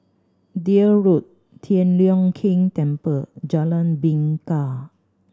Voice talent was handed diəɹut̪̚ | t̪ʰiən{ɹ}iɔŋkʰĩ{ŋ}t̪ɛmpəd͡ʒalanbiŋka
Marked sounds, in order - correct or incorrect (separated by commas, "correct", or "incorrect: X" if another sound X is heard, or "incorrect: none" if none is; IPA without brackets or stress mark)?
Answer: incorrect: l, correct